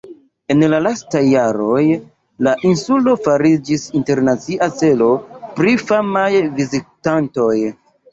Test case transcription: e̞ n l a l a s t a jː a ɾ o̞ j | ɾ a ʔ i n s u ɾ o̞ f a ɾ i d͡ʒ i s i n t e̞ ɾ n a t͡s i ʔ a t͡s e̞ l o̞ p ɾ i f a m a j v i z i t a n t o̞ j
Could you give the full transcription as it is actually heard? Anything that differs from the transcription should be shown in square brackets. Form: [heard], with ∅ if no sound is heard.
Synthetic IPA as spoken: e̞ n l a l a s t a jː a ɾ o̞ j | [l] a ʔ i n s u [l] o̞ f a ɾ i d͡ʒ i s i n t e̞ ɾ n a t͡s i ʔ a t͡s e̞ l o̞ p ɾ i f a m a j v i z i t a n t o̞ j